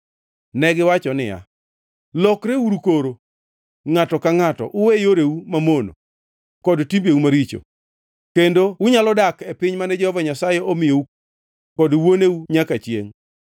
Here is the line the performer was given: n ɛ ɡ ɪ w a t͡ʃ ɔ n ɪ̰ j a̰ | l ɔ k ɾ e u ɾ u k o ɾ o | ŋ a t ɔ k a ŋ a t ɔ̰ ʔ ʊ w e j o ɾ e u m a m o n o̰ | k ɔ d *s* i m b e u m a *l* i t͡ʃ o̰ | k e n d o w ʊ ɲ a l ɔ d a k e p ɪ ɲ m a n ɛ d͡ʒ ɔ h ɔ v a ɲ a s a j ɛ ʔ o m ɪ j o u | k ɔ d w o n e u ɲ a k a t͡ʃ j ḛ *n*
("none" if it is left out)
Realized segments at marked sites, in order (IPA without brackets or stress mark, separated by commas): t, ɾ, ŋ